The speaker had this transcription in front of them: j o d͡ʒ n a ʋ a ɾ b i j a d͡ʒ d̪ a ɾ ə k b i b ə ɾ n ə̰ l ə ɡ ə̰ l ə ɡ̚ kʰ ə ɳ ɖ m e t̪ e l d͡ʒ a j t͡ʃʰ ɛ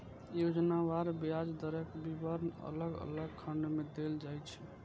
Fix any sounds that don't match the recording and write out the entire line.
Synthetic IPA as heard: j o d͡ʒ n a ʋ a ɾ b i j a d͡ʒ d̪ ə ɾ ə k b i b ə ɾ n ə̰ l ə ɡ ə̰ l ə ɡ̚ kʰ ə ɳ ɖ m e d̪ e l d͡ʒ a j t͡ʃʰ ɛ